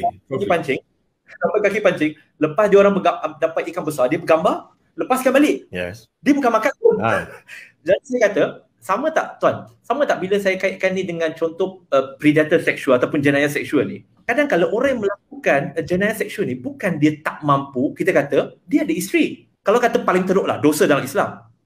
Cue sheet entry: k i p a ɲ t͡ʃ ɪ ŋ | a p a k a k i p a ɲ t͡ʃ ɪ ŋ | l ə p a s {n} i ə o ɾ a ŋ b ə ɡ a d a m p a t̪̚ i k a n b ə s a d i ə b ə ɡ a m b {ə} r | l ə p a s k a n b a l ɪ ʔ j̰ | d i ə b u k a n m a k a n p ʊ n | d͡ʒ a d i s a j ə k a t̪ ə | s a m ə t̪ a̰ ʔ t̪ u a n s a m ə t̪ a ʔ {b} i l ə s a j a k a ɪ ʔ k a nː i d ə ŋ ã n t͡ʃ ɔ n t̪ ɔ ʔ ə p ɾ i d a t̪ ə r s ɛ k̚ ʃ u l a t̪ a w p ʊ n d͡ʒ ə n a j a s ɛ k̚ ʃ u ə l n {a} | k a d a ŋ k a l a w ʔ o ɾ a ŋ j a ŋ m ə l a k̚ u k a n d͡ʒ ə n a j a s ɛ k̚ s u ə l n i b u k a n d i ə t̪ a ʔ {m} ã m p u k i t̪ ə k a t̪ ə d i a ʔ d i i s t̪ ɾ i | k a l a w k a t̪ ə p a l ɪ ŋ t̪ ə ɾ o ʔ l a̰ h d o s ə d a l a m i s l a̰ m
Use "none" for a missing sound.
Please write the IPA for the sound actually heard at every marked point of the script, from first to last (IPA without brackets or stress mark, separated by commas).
d, a, b, i, m